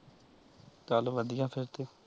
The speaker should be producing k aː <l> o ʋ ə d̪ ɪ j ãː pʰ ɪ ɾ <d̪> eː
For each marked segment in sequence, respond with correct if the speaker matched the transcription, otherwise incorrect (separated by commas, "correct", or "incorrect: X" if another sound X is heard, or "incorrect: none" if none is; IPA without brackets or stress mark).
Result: correct, incorrect: t̪